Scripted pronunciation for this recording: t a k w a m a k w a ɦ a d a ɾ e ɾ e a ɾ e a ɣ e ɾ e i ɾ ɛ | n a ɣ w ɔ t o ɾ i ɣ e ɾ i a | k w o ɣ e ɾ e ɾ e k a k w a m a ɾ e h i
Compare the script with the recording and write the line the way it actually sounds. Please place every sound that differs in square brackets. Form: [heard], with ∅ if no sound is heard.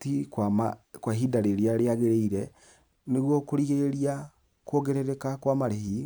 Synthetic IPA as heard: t [i] k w a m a k w a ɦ [i] d a ɾ e ɾ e a ɾ e a ɣ e ɾ e i ɾ ɛ | n [e] ɣ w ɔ [k] o ɾ i ɣ e ɾ i a | k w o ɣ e ɾ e ɾ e k a k w a m a ɾ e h i

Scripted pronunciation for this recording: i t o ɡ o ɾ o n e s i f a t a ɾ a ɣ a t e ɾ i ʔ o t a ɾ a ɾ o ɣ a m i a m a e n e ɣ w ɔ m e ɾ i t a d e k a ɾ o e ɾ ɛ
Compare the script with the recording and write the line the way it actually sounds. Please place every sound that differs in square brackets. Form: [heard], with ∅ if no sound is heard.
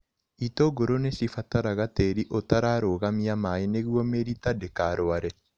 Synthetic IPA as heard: i t o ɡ o ɾ o n e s i f a t a ɾ a ɣ a t e ɾ i ʔ o t a ɾ a ɾ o ɣ a m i a m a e n e ɣ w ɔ m e ɾ i t a d e k a ɾ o [a] ɾ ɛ

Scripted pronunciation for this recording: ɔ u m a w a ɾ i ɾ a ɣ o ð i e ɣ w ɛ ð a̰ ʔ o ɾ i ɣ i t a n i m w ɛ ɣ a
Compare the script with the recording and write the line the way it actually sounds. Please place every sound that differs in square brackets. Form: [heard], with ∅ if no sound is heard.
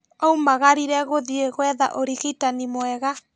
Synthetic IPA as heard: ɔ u m a [ɣ] a ɾ i ɾ [ɛ] ɣ o ð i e ɣ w ɛ ð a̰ ʔ o ɾ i ɣ i t a n i m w ɛ ɣ a

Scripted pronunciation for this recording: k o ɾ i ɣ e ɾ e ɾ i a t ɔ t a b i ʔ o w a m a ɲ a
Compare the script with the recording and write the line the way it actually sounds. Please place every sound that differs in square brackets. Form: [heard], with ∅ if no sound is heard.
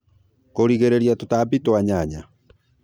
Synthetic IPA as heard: k o ɾ i ɣ e ɾ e ɾ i a t [o] t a b i [t] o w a [ɲ] a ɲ a

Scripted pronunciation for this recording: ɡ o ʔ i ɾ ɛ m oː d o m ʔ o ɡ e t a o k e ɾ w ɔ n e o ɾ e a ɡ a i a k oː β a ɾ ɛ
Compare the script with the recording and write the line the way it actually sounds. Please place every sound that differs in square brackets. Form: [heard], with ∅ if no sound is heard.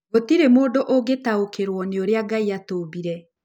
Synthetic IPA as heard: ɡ o [t] i ɾ [e] m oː d o [∅] ʔ o ɡ e t a o k e ɾ w ɔ n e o ɾ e a ɡ a i a [t] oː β [i] ɾ ɛ

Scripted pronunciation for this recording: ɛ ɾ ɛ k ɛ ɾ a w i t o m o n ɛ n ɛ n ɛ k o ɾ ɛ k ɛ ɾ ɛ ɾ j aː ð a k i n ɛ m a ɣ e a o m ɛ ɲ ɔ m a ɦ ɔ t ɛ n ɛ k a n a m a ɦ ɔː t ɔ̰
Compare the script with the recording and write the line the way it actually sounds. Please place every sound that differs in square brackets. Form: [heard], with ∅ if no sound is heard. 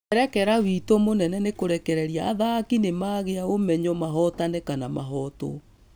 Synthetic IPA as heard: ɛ ɾ ɛ k ɛ ɾ a w i t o m o n ɛ n ɛ n [e] k o ɾ ɛ k ɛ ɾ ɛ ɾ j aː ð a k i n [e] m a ɣ e a o m ɛ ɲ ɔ m a ɦ ɔ t [a] n ɛ k a n a m a ɦ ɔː t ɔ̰

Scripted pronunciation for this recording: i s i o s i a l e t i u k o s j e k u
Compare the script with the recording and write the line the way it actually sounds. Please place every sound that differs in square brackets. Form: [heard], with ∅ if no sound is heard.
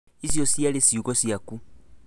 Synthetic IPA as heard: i s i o s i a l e [s] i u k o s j [a] k u

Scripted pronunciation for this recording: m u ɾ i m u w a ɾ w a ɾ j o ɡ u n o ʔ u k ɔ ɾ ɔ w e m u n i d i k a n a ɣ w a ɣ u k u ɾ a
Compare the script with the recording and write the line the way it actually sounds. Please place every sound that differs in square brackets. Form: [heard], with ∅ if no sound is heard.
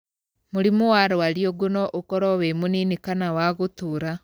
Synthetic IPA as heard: m u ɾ i m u w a ɾ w a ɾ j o ɡ u n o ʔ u k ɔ ɾ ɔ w e m u n i [n] i k a n a [∅] w a ɣ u [t] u ɾ a

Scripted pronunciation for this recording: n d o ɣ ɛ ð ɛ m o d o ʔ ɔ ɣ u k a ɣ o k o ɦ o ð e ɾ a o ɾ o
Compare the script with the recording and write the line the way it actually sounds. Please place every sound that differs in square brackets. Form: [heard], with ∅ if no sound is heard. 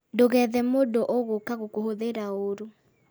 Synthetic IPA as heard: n d o ɣ ɛ ð ɛ m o d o ʔ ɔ ɣ [o] k a ɣ o k o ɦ o ð e ɾ a o ɾ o

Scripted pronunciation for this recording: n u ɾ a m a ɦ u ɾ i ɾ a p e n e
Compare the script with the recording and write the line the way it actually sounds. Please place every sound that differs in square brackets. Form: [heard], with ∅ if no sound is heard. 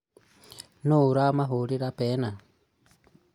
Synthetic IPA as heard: n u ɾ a m a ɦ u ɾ i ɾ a p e n [a]

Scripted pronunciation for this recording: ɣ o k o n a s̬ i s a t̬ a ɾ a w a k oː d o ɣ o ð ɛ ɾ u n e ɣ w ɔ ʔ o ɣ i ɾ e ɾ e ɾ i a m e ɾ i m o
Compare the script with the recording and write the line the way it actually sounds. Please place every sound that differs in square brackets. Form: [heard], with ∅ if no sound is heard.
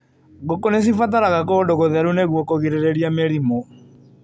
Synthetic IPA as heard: ɣ o k o n [e] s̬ i [f] a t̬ a ɾ a [ɣ] a k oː d o ɣ o ð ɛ ɾ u n e ɣ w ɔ [k] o ɣ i ɾ e ɾ e ɾ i a m e ɾ i m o

